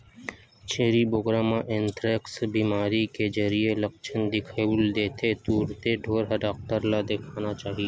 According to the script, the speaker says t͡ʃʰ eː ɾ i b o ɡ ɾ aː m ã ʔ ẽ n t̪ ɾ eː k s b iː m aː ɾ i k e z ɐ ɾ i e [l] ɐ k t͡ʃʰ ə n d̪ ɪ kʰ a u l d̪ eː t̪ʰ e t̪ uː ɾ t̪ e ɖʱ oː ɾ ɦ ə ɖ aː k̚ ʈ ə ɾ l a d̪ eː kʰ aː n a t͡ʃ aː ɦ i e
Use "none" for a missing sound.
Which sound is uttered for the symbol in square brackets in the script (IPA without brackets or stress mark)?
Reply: l